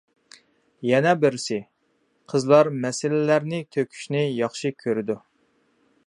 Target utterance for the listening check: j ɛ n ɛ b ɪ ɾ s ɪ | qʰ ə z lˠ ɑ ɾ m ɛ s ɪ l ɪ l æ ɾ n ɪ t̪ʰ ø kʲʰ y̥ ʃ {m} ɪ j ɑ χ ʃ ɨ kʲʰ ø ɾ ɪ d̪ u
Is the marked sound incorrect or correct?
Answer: incorrect: n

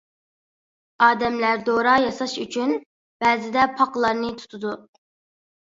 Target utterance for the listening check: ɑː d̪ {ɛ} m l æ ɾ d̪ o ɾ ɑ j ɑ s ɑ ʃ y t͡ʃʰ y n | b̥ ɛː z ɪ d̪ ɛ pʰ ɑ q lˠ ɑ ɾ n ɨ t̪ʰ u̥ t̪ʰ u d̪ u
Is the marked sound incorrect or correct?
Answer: correct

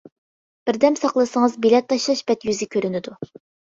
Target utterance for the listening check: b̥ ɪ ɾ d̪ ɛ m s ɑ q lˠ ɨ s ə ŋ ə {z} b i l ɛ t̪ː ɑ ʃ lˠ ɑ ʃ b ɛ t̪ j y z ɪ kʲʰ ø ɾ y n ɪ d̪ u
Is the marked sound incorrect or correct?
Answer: correct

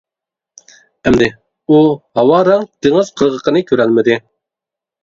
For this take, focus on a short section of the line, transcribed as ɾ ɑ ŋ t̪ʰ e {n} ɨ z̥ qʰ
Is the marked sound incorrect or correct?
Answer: incorrect: ŋ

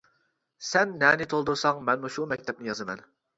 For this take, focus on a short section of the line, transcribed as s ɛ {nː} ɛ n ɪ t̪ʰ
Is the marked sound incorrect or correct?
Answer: correct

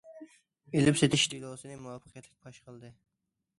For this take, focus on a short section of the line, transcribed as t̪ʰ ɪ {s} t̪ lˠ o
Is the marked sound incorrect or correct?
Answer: incorrect: ʃ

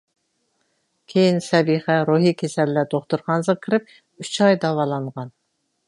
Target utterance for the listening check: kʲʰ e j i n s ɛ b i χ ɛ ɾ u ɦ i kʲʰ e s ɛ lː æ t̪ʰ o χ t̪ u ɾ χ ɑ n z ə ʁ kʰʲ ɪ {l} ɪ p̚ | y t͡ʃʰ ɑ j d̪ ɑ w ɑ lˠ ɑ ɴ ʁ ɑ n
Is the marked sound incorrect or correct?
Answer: incorrect: ɾ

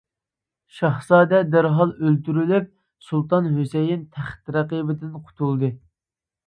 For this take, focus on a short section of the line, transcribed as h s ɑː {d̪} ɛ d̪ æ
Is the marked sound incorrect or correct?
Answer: correct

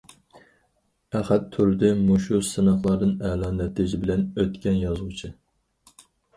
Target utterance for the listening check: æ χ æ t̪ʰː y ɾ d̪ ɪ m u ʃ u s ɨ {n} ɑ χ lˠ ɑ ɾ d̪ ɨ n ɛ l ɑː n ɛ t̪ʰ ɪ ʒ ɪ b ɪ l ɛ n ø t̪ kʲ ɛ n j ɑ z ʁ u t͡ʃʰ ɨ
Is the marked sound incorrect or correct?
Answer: correct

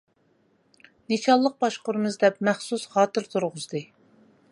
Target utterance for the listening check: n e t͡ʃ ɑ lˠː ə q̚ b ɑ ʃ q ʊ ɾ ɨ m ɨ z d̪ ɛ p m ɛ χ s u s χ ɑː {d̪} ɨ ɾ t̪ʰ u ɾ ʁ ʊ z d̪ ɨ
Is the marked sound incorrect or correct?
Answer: incorrect: t̪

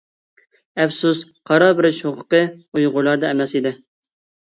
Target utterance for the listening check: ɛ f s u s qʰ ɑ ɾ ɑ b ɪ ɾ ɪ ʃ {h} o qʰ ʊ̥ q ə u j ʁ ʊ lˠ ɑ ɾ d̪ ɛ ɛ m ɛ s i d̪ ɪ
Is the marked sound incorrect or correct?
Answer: correct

